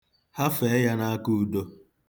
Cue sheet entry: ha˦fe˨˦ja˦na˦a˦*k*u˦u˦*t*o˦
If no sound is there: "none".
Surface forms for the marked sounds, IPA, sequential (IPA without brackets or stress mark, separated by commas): k, d